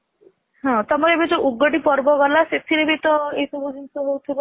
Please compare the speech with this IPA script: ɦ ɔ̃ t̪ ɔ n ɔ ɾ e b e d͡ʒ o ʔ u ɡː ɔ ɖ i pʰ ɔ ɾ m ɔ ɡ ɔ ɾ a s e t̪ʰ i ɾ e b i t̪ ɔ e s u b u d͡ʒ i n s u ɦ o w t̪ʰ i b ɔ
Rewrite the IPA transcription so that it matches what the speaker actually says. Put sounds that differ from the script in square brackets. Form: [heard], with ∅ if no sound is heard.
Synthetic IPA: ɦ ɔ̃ t̪ ɔ [m] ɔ ɾ e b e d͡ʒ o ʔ u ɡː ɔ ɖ i [p] ɔ ɾ [b] ɔ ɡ ɔ [l] a s e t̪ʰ i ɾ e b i t̪ ɔ e s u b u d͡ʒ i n s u ɦ o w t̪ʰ i b ɔ